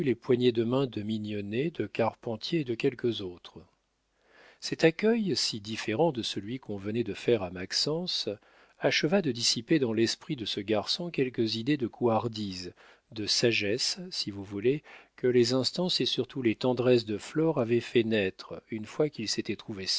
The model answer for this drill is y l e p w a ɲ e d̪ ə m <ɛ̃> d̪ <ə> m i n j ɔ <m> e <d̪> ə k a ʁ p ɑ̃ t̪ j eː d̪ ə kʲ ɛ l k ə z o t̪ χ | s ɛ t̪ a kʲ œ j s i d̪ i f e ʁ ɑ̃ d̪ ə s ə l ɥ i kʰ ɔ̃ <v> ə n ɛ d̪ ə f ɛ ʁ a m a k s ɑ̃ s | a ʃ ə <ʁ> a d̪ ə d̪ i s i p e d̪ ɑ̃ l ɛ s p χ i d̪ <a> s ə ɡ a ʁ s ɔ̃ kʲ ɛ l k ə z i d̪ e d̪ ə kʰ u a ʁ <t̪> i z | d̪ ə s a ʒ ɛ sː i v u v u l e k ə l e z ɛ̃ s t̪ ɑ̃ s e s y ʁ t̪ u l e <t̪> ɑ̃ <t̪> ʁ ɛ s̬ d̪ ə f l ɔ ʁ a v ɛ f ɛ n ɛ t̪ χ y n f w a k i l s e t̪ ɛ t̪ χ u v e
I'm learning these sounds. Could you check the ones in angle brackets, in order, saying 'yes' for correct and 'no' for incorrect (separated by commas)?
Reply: yes, yes, no, yes, yes, no, no, no, yes, no